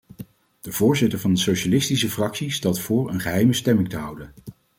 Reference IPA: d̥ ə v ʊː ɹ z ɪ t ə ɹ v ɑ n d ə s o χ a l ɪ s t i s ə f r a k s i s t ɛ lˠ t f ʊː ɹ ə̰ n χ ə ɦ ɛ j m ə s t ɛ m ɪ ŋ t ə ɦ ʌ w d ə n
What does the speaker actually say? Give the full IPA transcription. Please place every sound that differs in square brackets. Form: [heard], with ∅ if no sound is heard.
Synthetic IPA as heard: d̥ ə v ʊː ɹ z ɪ t ə ɹ v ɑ n d ə s o [ʃ] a l ɪ s t i s ə f r [ɑ] k s i s t ɛ lˠ t f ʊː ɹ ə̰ n χ ə ɦ ɛ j m ə s t ɛ m ɪ ŋ t ə ɦ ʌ w d ə n